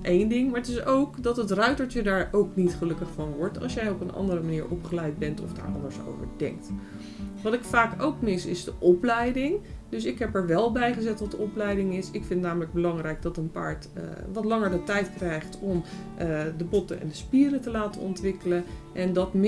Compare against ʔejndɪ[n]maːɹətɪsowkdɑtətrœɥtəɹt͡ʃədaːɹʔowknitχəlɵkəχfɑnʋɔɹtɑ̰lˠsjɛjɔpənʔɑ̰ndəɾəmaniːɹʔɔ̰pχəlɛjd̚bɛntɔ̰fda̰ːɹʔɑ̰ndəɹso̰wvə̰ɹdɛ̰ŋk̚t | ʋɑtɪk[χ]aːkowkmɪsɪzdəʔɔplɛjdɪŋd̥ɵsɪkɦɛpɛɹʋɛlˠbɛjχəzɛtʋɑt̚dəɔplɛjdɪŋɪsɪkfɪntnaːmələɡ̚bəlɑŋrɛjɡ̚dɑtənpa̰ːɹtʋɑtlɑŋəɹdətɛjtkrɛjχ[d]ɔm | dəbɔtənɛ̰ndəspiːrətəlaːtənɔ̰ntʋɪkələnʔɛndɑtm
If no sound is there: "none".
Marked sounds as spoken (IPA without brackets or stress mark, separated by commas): ŋ, f, t